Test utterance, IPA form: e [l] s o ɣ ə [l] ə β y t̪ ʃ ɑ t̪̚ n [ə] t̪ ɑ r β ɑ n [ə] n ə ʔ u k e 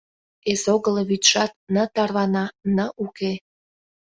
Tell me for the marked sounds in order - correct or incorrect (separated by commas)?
incorrect, correct, correct, incorrect